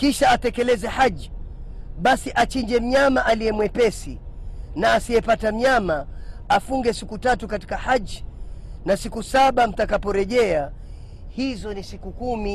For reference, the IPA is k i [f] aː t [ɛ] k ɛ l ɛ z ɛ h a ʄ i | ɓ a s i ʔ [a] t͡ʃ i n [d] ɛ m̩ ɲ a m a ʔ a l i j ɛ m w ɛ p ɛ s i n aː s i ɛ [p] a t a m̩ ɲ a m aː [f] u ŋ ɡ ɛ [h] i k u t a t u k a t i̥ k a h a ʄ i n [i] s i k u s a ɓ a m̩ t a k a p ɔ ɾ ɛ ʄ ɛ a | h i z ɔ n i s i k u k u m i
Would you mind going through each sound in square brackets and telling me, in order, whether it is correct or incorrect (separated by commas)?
incorrect, correct, correct, incorrect, correct, correct, incorrect, incorrect